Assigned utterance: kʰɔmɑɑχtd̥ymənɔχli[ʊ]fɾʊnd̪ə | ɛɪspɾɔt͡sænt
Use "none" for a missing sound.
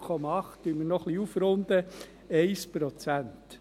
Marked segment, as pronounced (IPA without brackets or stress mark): u